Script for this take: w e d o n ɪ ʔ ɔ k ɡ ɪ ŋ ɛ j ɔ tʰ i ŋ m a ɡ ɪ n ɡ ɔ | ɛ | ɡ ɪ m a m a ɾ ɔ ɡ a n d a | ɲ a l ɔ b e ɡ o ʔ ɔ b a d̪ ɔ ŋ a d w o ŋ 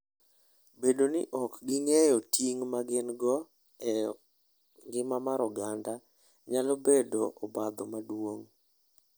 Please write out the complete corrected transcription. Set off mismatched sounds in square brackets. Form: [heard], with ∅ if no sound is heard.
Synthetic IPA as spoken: [b] e d o n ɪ ʔ ɔ k ɡ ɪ ŋ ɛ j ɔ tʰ i ŋ m a ɡ ɪ n ɡ ɔ | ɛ | ɡ ɪ m a m a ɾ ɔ ɡ a n d a | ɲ a l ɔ b e [d] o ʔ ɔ b a d̪ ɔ [m] a d w o ŋ